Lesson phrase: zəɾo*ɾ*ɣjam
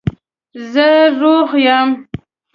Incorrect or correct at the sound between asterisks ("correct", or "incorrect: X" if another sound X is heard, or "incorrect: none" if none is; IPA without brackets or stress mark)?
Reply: incorrect: none